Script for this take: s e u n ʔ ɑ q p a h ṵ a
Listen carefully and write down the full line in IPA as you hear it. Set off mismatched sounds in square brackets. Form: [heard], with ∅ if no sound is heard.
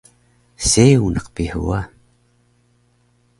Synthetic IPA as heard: s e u n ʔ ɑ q p [i] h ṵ a